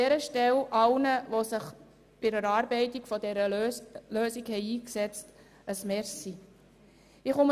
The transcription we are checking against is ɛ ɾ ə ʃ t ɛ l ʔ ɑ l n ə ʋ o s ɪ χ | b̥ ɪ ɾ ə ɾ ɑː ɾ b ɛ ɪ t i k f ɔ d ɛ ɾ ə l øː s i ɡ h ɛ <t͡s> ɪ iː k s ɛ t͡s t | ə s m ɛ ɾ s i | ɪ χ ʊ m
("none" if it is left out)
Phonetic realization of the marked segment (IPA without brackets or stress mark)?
none